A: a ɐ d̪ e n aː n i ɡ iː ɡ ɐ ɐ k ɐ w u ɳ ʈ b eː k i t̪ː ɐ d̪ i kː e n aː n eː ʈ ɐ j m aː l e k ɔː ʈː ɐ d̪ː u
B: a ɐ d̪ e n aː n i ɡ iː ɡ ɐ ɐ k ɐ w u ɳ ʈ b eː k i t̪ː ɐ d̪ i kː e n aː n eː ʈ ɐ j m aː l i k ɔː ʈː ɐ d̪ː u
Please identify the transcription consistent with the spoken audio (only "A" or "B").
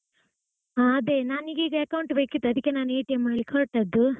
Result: B